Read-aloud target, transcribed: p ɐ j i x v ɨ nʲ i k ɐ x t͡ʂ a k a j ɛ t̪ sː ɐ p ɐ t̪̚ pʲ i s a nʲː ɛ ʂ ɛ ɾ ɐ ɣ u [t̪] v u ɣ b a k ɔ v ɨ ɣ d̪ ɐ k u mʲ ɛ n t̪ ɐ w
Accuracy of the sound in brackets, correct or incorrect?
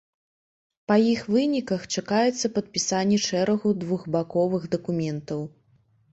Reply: incorrect: d̪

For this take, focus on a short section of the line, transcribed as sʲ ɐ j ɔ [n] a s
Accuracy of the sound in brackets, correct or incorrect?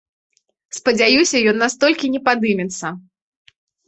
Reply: incorrect: nː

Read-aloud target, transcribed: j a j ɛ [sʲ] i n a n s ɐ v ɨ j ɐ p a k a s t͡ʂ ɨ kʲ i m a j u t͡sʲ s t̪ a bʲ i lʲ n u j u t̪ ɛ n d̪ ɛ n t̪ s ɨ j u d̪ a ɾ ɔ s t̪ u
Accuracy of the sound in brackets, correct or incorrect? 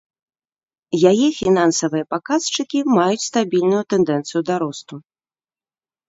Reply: incorrect: fʲ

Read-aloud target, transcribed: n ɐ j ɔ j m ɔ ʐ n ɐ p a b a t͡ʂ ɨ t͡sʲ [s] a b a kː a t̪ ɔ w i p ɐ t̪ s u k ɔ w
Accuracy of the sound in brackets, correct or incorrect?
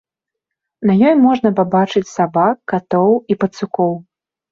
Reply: correct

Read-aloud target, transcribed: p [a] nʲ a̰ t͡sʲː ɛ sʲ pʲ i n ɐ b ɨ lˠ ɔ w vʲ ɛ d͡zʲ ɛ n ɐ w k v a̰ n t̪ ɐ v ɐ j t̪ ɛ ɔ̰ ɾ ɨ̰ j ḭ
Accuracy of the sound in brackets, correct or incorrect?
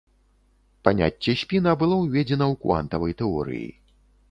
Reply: correct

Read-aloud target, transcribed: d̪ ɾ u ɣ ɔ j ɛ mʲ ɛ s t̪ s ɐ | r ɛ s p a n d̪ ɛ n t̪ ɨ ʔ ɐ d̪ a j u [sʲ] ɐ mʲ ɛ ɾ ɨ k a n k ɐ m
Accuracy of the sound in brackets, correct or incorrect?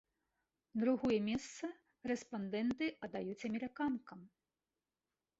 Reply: incorrect: t͡sʲ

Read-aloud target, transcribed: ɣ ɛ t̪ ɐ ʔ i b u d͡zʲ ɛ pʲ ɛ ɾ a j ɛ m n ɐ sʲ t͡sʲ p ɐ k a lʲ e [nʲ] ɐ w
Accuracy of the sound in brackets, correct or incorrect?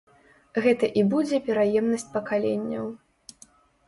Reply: incorrect: nʲː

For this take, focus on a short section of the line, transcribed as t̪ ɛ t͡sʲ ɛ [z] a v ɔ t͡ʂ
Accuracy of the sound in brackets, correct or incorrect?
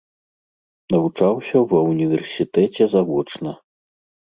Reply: correct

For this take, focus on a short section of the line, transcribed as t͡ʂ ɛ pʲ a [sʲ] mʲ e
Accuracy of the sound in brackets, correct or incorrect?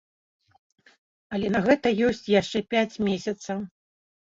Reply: incorrect: t͡sʲ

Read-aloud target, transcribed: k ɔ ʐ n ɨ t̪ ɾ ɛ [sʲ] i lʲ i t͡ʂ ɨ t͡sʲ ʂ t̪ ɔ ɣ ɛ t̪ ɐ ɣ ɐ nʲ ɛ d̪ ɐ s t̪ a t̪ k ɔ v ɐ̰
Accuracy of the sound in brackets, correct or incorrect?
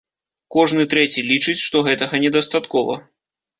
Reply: incorrect: t͡sʲ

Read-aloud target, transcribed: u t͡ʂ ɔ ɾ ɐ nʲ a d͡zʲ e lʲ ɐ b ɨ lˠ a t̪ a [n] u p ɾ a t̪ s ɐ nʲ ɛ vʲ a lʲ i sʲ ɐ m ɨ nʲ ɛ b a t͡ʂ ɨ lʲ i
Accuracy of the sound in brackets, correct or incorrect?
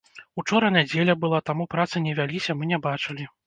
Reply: incorrect: m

